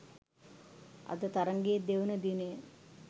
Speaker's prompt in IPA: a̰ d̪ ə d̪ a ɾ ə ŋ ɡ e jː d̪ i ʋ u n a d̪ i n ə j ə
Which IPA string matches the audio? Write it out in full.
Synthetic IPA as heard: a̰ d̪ ə t̪ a ɾ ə ŋ ɡ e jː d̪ e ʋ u n ə d̪ i n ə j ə